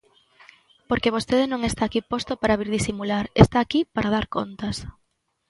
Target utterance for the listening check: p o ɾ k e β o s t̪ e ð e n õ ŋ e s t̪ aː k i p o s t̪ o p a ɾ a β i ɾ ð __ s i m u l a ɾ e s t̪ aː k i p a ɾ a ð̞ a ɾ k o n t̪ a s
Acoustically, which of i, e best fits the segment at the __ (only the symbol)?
i